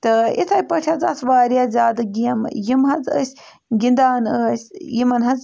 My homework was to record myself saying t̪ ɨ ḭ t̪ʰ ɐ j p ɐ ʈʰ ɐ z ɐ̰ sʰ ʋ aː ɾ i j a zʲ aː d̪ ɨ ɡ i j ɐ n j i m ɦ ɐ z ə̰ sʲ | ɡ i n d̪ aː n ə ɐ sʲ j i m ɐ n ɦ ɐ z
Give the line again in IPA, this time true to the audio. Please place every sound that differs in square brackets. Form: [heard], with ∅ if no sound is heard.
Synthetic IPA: t̪ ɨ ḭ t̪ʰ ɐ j p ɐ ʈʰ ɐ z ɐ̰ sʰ ʋ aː ɾ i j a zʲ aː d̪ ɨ ɡ i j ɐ [m] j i m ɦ ɐ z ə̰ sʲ | ɡ i n d̪ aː n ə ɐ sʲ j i m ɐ n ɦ ɐ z